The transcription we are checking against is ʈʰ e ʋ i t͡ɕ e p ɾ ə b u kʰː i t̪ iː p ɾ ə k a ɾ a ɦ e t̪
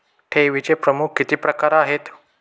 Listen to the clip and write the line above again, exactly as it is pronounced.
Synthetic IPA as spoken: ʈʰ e ʋ i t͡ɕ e p ɾ ə m u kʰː i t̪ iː p ɾ ə k a ɾ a ɦ e t̪